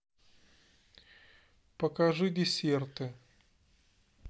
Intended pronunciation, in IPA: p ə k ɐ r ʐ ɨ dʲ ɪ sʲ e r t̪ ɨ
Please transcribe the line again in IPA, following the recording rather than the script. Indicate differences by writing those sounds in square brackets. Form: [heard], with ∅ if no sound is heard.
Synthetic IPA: p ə k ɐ [∅] ʐ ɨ dʲ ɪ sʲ e r t̪ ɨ